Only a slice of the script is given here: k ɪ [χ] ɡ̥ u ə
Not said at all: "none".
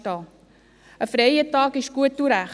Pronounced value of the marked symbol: ʃ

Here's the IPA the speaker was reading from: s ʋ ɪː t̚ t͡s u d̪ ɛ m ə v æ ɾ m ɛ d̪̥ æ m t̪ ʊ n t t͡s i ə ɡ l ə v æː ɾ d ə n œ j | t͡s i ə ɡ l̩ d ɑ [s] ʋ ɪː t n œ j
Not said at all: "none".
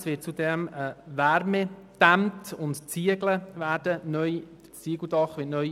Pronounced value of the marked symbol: χ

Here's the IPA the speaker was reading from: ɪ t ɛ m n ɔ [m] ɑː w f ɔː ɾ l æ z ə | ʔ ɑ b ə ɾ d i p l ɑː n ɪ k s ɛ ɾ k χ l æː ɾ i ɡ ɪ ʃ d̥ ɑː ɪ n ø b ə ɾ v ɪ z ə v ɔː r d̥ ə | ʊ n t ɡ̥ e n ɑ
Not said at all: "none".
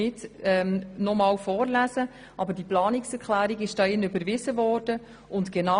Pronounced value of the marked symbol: m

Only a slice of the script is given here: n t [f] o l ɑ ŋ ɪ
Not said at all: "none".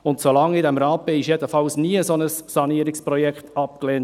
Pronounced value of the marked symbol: s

